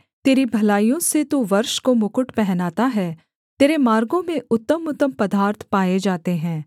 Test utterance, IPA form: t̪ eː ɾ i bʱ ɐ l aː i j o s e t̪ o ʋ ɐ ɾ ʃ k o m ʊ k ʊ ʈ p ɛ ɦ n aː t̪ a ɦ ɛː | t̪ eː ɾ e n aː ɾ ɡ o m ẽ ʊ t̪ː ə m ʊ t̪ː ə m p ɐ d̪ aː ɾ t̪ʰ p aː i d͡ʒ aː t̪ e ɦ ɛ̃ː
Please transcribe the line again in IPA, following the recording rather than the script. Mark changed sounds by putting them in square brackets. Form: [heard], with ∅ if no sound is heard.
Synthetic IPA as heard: t̪ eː ɾ i bʱ ɐ l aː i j [õ] s e t̪ o ʋ ɐ ɾ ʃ k o m ʊ k ʊ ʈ p ɛ ɦ n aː t̪ a ɦ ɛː | t̪ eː ɾ e [m] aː ɾ ɡ [õ] m ẽ ʊ t̪ː ə m ʊ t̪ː ə m p ɐ d̪ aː ɾ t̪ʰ p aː [e] d͡ʒ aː t̪ e ɦ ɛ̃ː